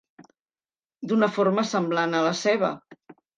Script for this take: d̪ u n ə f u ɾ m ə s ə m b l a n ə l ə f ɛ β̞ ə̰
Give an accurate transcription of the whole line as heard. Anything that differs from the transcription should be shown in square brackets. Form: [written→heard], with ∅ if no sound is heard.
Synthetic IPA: d̪ u n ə f [u→o] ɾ m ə s ə m b l a n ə l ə [f→s] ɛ β̞ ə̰